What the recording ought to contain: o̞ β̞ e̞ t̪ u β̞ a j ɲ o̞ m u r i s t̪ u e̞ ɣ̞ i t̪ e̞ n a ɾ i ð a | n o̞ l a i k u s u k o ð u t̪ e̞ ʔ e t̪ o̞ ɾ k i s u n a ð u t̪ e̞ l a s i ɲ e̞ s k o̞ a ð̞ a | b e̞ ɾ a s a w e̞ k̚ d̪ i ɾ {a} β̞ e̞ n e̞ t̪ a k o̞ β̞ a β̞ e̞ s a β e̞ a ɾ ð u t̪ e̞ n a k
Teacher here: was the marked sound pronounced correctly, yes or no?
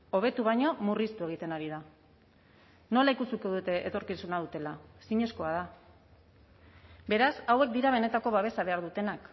yes